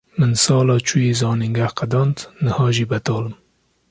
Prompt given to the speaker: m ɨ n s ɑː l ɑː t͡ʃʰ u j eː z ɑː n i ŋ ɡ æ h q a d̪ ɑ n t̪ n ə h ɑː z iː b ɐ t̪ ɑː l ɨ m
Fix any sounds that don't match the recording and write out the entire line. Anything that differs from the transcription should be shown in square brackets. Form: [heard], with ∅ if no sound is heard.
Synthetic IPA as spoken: m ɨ n s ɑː l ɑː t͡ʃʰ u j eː z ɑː n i ŋ ɡ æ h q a d̪ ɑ n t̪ n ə h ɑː [ʒ] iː b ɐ t̪ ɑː l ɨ m